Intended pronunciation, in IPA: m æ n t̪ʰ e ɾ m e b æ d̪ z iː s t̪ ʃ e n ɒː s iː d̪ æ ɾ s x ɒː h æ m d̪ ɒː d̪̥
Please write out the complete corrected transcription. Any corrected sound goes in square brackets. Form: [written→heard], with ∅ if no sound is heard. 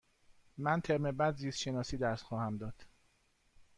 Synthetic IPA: m æ n t̪ʰ e ɾ m e b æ d̪ z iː s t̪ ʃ e n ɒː s iː d̪ æ ɾ s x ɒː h æ m d̪ ɒː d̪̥